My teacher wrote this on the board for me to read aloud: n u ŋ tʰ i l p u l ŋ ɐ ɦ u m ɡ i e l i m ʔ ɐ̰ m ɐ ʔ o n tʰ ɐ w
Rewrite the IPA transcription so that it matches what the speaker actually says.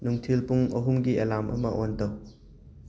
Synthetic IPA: n u ŋ tʰ i l p u ŋ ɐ ɦ u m ɡ i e l a m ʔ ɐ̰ m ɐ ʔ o n t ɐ w